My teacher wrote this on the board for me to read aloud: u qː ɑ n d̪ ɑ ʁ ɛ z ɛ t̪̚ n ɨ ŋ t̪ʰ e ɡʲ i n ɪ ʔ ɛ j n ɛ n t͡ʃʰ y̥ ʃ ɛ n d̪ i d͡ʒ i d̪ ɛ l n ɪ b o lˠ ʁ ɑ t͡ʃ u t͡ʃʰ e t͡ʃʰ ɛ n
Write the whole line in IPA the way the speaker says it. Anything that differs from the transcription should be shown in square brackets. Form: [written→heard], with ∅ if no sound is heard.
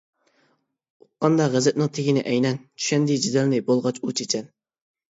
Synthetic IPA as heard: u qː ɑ n d̪ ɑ ʁ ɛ z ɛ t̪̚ n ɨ ŋ t̪ʰ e ɡʲ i n ɪ ʔ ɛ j n ɛ n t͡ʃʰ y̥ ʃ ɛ n d̪ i d͡ʒ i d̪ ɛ l n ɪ b o lˠ ʁ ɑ t͡ʃ u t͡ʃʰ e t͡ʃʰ ɛ n